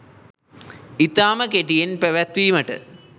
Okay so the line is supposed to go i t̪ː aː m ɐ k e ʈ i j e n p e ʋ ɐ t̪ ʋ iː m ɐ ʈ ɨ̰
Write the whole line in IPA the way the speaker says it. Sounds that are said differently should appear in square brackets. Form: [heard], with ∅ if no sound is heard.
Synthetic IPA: i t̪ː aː m ɐ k e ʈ i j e n p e ʋ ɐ t̪ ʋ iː m ɐ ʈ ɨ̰